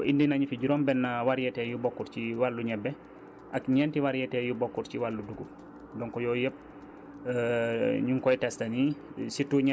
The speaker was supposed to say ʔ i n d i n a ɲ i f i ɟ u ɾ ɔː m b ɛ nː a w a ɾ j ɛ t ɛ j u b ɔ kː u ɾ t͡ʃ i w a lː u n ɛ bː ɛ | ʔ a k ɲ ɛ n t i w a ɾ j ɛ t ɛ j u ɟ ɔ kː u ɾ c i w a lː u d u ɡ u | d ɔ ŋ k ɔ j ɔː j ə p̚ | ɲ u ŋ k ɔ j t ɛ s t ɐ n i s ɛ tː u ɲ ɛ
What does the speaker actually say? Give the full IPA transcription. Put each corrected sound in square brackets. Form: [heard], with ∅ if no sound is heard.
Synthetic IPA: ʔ i n d i n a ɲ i f i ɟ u ɾ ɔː m b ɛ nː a w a ɾ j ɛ t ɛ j u b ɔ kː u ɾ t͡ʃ i w a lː u [ɲ] ɛ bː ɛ | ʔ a k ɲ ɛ n t i w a ɾ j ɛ t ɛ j u [b] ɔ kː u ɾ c i w a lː u d u ɡ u | d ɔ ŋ k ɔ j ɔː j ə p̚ | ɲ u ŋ k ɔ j t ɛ s t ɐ n i s [i] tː u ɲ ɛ